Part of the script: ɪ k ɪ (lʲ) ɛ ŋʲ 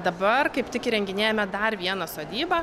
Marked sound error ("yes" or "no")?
yes